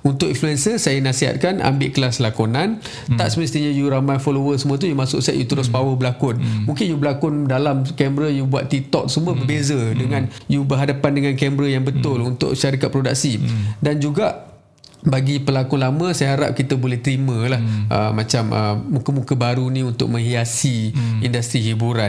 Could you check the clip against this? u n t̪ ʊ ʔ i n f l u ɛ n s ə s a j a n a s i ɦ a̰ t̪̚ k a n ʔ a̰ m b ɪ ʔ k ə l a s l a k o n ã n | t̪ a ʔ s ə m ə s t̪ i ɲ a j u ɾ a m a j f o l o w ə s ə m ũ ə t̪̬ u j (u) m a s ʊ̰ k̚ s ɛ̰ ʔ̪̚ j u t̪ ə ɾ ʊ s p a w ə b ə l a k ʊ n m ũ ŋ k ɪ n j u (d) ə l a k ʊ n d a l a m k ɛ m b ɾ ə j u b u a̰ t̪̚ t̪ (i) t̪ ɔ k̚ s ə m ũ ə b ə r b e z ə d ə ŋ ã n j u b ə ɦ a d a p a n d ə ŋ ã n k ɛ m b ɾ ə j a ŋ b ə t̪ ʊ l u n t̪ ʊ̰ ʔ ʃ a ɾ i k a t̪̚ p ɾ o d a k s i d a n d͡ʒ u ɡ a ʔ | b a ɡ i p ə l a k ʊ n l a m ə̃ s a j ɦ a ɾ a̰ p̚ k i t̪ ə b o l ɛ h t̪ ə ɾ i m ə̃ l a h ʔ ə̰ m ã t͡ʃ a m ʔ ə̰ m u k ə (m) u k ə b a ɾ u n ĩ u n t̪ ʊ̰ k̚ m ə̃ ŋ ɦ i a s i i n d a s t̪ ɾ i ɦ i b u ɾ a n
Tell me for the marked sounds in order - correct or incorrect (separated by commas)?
correct, incorrect, correct, correct